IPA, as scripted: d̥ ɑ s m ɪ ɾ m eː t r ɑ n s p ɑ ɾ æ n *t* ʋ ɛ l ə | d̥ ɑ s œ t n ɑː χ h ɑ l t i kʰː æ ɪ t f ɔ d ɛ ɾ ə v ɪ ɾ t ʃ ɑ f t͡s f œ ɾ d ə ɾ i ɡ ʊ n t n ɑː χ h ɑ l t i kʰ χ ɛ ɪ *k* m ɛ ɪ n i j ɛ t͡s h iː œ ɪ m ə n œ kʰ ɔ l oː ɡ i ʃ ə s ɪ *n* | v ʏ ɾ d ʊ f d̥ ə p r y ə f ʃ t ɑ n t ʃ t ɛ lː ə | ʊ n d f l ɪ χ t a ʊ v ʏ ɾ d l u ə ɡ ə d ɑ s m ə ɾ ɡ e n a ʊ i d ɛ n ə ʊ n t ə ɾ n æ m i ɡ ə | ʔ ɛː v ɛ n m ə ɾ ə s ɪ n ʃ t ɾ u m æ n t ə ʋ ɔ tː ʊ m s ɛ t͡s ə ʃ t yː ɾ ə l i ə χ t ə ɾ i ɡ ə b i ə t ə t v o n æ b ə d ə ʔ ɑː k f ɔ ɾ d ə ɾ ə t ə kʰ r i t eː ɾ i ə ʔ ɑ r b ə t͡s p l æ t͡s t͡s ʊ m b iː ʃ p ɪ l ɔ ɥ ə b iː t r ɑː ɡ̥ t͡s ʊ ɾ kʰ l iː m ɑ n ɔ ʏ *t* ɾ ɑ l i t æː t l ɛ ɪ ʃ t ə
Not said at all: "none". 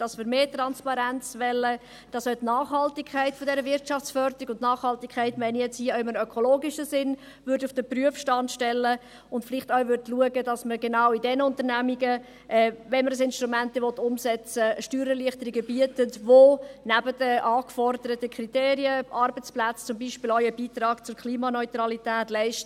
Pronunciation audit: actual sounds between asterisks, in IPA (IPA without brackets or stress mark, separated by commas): t͡s, t, n, t